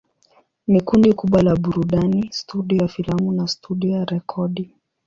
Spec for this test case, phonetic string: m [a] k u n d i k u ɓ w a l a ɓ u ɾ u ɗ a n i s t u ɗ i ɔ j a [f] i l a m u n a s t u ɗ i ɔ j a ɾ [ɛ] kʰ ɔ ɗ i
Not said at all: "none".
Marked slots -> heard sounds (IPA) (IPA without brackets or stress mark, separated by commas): i, f, ɛ